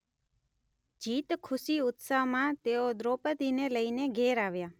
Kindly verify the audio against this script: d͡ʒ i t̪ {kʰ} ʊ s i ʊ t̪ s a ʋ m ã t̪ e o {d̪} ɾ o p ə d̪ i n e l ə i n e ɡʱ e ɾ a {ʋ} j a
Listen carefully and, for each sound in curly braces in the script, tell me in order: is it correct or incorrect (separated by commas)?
correct, correct, correct